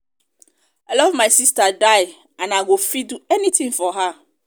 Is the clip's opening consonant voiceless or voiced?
voiced